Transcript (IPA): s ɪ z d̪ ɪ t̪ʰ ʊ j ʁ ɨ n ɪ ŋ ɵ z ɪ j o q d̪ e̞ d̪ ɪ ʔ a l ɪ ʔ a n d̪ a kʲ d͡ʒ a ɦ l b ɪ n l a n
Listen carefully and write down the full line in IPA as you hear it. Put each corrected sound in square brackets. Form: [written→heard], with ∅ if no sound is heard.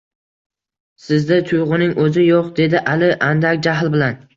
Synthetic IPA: s ɪ z d̪ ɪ t̪ʰ ʊ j ʁ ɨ n ɪ ŋ ɵ z ɪ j o q d̪ e̞ d̪ ɪ ʔ a l ɪ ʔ a n d̪ a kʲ d͡ʒ a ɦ l b ɪ [n→∅] l a n